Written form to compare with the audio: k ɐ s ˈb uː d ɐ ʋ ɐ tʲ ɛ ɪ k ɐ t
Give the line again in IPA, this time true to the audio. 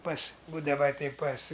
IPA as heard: p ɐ s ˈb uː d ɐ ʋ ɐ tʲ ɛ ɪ p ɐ s